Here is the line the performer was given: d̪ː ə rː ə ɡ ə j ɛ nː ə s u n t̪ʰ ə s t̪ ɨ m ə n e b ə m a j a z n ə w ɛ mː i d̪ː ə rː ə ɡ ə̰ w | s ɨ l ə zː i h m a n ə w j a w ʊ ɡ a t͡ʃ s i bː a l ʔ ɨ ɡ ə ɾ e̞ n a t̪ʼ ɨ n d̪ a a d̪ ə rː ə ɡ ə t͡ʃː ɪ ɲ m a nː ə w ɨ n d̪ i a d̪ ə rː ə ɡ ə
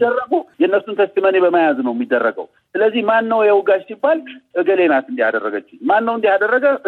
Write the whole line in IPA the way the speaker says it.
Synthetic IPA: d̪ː ə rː ə ɡ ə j ɛ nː ə s u n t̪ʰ ə s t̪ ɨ m ə n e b ə m a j a z n ə w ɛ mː i d̪ː ə rː ə ɡ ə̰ w | s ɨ l ə zː i h m a nː ə w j ɛ w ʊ ɡ a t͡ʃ s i bː a l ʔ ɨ ɡ ə l e̞ n a t̪ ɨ n d̪ i a d̪ ə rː ə ɡ ə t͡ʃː ɪ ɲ m a nː ə w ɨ n d̪ i a d̪ ə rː ə ɡ ə